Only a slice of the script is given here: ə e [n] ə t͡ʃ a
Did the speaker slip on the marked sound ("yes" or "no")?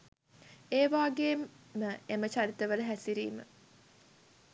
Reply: yes